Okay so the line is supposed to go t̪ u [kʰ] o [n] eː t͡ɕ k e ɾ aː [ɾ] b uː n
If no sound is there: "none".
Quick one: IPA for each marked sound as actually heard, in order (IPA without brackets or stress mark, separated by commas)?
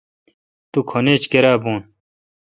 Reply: kʰ, n, none